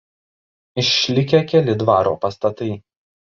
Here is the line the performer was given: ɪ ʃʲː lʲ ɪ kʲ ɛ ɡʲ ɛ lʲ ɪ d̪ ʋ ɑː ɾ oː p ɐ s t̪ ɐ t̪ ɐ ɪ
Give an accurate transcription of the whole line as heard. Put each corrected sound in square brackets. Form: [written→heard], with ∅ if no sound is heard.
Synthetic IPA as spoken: ɪ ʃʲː lʲ ɪ kʲ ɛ [ɡʲ→kʲ] ɛ lʲ ɪ d̪ ʋ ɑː ɾ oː p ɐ s t̪ ɐ t̪ ɐ ɪ